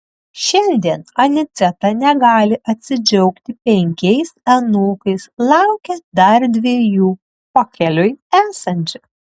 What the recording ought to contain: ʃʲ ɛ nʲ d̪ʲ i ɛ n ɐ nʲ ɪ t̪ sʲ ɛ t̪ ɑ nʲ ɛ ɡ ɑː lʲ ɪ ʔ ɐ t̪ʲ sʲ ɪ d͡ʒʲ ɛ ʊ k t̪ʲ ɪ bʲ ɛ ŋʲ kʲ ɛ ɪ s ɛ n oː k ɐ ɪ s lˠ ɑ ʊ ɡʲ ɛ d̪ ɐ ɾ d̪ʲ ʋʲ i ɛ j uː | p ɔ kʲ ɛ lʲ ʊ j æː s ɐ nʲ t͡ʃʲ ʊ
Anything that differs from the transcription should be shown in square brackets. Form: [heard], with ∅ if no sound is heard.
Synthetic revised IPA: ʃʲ ɛ nʲ d̪ʲ i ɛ n ɐ nʲ ɪ t̪ sʲ ɛ t̪ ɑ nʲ ɛ ɡ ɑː lʲ ɪ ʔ ɐ t̪ʲ sʲ ɪ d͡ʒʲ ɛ ʊ k t̪ʲ ɪ [pʲ] ɛ ŋʲ kʲ ɛ ɪ s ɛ n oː k ɐ ɪ s lˠ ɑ ʊ [kʲ] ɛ d̪ ɐ ɾ d̪ʲ ʋʲ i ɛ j uː | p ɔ kʲ ɛ lʲ ʊ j æː s ɐ nʲ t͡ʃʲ ʊ

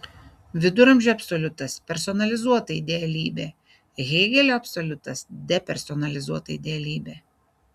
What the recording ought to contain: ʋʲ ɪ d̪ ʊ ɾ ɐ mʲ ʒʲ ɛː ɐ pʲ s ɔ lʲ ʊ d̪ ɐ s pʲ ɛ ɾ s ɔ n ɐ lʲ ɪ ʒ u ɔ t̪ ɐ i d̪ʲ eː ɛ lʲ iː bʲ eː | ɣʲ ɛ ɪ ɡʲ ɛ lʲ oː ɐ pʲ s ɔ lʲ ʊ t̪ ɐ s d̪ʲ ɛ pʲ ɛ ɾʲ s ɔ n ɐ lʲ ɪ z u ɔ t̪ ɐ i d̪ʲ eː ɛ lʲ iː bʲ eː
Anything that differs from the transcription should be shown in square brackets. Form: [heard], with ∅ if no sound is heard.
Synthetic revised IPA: ʋʲ ɪ d̪ ʊ ɾ ɐ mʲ ʒʲ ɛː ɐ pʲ s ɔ lʲ ʊ [t̪] ɐ s pʲ ɛ ɾ s ɔ n ɐ lʲ ɪ [z] u ɔ t̪ ɐ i d̪ʲ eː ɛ lʲ iː bʲ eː | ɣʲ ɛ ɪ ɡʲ ɛ lʲ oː ɐ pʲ s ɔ lʲ ʊ t̪ ɐ s d̪ʲ ɛ pʲ ɛ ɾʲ s ɔ n ɐ lʲ ɪ z u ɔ t̪ ɐ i d̪ʲ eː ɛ lʲ iː bʲ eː

